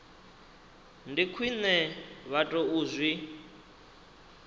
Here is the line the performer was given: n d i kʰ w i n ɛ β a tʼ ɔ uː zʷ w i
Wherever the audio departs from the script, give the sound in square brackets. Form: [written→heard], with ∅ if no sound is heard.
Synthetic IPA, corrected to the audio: n d i kʰ w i n ɛ β a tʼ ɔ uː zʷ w i